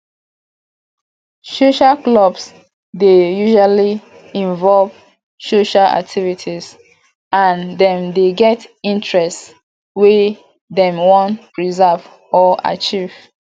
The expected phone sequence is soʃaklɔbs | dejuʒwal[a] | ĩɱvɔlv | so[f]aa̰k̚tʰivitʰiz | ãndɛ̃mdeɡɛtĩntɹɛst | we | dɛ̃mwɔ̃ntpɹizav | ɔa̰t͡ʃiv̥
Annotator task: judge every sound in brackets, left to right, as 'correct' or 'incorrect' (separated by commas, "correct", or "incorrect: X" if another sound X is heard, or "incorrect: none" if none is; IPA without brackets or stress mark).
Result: incorrect: i, incorrect: ʃ